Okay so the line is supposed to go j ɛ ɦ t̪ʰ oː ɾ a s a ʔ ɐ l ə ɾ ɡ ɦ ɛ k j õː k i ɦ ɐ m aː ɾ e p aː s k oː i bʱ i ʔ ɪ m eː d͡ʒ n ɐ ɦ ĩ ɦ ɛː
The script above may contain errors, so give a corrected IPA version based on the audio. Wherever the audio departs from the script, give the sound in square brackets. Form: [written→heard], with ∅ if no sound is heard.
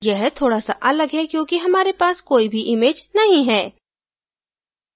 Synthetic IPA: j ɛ ɦ t̪ʰ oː [ɾ→ɽ] a s a ʔ ɐ l ə [ɾ→∅] ɡ ɦ ɛ k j õː k i ɦ ɐ m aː ɾ e p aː s k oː i bʱ i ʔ ɪ m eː d͡ʒ n ɐ ɦ ĩ ɦ ɛː